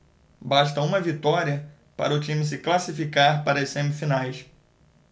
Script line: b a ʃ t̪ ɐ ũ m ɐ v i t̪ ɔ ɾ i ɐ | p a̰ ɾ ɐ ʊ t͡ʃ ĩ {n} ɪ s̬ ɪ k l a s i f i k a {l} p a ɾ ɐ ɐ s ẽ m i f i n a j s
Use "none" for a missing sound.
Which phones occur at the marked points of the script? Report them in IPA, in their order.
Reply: m, ɾ

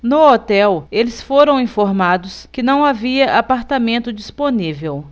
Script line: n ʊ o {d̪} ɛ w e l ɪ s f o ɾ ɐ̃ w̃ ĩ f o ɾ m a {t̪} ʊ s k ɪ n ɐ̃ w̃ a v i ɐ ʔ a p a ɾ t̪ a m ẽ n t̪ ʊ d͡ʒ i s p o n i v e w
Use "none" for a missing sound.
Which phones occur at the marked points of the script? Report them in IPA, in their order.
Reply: t̪, d̪

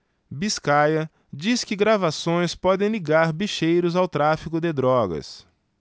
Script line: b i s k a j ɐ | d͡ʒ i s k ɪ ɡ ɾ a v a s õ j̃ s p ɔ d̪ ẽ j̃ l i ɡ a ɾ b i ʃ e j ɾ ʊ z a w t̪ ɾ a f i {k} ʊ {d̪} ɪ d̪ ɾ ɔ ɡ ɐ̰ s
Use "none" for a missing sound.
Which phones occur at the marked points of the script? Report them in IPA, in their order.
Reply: k, d̪

